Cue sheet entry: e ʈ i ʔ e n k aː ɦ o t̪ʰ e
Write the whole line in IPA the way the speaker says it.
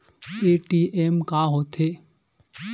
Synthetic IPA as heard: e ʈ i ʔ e m k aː ɦ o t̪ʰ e

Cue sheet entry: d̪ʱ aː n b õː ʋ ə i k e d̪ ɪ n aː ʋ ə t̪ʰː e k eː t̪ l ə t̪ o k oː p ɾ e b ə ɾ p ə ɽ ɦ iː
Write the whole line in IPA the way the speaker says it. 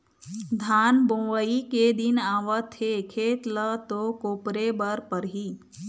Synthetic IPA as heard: d̪ʱ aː n b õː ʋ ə i k e d̪ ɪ n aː ʋ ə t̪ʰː e kʰ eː t̪ l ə t̪ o k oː p ɾ e b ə ɾ p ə ɾ ɦ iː

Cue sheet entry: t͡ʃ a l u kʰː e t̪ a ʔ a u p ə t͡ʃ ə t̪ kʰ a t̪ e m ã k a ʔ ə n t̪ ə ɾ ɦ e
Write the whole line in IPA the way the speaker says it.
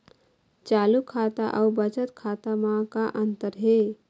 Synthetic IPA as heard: t͡ʃ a l u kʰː a t̪ a ʔ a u b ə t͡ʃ ə t̪ kʰ a t̪ a m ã k a ʔ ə n t̪ ə ɾ ɦ e

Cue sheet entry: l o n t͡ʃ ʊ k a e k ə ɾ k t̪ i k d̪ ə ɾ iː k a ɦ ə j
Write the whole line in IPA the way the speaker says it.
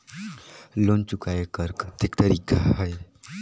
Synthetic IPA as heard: l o n t͡ʃ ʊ k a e k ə ɾ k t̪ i k t̪ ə ɾ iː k a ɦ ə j

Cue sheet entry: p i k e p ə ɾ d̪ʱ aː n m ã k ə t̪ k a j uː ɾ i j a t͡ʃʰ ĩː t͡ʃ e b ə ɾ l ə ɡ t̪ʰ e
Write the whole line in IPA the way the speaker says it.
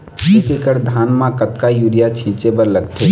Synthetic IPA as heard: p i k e k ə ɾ d̪ʱ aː n m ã k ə t̪ k a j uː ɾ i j a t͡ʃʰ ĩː t͡ʃ e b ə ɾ l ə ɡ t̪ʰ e

